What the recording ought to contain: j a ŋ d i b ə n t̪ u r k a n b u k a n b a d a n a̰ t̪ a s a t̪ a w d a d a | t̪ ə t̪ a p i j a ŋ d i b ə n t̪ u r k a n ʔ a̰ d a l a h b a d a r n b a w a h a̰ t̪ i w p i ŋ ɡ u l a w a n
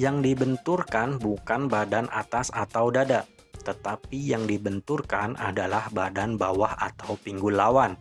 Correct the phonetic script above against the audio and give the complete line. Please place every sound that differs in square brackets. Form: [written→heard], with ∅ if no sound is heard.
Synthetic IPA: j a ŋ d i b ə n t̪ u r k a n b u k a n b a d a n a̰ t̪ a s a t̪ a w d a d a | t̪ ə t̪ a p i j a ŋ d i b ə n t̪ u r k a n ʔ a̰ d a l a h b a d a [r→∅] n b a w a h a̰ t̪ [i→a] w p i ŋ ɡ u l a w a n